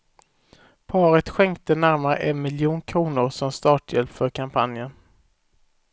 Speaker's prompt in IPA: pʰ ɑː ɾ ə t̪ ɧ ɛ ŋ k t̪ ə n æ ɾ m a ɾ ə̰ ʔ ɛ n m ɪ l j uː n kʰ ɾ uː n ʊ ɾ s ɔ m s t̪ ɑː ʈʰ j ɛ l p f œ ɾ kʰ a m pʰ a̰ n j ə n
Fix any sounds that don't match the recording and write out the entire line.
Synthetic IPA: pʰ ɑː ɾ ə t̪ ɧ ɛ ŋ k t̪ ə n æ ɾ m a ɾ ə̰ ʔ ɛ n m ɪ l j uː n kʰ ɾ uː n ʊ ɾ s ɔ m s t̪ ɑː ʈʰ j ɛ l p f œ ɾ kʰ a m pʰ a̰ n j ə n

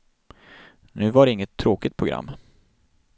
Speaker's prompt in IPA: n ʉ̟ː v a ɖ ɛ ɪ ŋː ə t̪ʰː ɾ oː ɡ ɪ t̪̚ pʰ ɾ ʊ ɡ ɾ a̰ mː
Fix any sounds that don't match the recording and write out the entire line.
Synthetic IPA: n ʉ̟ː v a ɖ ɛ ɪ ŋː ə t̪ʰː ɾ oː k ɪ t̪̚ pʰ ɾ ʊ ɡ ɾ a̰ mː

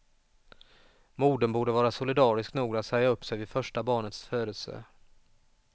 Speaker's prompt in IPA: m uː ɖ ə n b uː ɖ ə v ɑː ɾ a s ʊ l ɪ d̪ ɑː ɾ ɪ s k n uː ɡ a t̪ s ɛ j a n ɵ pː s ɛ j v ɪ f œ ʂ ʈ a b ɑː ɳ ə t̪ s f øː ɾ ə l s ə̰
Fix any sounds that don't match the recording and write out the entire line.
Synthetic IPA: m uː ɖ ə n b uː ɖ ə v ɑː ɾ a s ʊ l ɪ d̪ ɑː ɾ ɪ s k n uː ɡ a t̪ s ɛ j a ɵ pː s ɛ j v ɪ f œ ʂ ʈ a b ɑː ɳ ə t̪ s f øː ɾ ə l s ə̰

